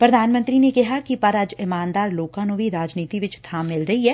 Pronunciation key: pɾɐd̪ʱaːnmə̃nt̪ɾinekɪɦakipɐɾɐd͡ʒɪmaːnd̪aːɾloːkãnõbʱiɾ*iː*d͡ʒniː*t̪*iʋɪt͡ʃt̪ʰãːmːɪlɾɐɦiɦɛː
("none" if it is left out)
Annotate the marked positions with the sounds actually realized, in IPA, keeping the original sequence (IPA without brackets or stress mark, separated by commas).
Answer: aː, t̪